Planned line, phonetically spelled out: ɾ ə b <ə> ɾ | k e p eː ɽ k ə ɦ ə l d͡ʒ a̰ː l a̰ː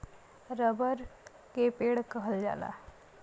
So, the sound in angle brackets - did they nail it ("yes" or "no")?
yes